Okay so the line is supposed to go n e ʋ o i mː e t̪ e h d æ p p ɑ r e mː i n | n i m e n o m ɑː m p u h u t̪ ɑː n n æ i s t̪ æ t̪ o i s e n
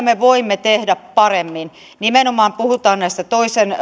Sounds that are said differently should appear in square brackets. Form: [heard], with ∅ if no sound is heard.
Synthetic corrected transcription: [m] e ʋ o i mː e t̪ e h d æ p p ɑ r e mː i n | n i m e n o m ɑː m p u h u t̪ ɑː n n æ i s t̪ æ t̪ o i s e n